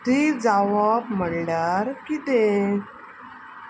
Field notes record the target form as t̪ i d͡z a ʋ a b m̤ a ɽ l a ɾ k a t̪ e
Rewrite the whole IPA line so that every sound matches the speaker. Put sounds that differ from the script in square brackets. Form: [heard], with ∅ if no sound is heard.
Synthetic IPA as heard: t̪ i d͡z a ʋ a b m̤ [ə] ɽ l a ɾ k [i] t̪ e

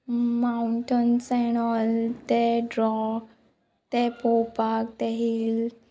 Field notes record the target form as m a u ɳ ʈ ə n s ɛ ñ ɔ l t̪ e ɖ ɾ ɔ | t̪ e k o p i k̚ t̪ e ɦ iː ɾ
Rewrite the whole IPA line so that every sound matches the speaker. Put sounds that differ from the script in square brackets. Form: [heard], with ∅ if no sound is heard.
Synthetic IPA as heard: m a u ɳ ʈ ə n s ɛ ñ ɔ l t̪ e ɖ ɾ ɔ | t̪ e [p] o p [a] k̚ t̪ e ɦ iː [l]

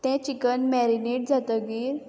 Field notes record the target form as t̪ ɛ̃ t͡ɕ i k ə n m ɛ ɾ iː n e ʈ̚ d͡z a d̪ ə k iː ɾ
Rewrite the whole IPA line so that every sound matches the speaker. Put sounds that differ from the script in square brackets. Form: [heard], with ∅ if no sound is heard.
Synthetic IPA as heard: t̪ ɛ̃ t͡ɕ i k ə n m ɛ ɾ [i] n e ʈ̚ d͡z a [t̪] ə [ɡ] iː ɾ

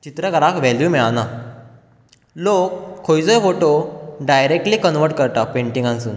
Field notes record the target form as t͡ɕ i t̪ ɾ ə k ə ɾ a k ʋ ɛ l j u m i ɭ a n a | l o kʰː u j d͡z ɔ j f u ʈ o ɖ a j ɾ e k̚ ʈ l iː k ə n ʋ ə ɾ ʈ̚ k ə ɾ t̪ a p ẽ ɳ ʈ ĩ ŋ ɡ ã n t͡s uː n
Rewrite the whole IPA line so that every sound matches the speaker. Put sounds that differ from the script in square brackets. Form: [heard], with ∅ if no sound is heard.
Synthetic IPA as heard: t͡ɕ i t̪ ɾ ə k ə ɾ a k ʋ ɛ l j u m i ɭ a n a | l o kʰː [o] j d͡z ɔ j f [o] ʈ o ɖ a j ɾ e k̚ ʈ l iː k ə n ʋ ə ɾ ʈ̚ k ə ɾ t̪ a p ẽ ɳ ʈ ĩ ŋ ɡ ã n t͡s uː n

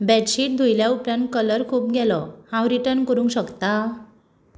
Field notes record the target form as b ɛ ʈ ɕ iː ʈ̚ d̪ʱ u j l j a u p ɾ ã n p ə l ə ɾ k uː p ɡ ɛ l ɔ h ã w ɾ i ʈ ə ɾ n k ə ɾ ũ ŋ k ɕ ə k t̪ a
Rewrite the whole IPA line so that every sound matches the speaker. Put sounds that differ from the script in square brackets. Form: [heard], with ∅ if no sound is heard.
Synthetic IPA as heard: b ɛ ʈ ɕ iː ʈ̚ d̪ʱ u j l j a u p ɾ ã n [k] ə l ə ɾ [kʰ] uː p ɡ ɛ l ɔ h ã w ɾ i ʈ ə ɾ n k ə ɾ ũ ŋ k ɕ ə k t̪ a

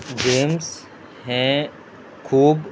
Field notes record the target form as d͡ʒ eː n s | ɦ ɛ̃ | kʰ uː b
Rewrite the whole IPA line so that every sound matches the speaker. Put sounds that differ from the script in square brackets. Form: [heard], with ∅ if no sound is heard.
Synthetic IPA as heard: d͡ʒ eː [m] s | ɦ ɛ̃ | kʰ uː b

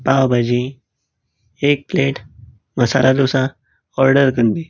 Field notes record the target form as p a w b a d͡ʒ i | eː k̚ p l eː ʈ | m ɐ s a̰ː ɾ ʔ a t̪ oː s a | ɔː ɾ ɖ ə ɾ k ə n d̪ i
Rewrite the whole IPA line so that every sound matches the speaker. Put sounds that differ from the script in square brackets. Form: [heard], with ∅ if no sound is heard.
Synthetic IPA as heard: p a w b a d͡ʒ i | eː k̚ p l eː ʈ | m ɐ s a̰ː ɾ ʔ a [d̪] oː s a | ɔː ɾ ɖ ə ɾ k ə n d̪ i

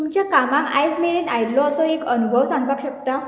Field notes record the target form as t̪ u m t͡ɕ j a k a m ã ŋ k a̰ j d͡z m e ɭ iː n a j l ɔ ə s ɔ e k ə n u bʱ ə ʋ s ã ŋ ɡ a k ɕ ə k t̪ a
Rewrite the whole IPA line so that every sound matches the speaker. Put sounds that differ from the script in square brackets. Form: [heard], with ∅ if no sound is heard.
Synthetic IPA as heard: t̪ u m t͡ɕ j a k a m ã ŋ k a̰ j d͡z m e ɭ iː n a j l ɔ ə s ɔ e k ə n u bʱ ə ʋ s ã ŋ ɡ a k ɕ ə k t̪ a

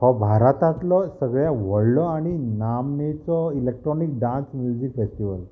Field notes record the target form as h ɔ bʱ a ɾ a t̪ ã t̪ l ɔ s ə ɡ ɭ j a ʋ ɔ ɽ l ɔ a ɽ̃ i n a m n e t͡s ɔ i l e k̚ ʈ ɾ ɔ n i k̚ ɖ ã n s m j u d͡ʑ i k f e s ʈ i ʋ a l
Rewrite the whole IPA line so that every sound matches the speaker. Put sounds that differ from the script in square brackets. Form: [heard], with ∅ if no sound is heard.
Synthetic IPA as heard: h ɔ bʱ a ɾ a t̪ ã t̪ l ɔ s ə ɡ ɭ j a ʋ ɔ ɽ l ɔ a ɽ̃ i n a m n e t͡s ɔ i l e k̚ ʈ ɾ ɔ n i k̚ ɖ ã n s m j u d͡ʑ i k f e s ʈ i ʋ [ə] l

